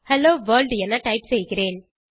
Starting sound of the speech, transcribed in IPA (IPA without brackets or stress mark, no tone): h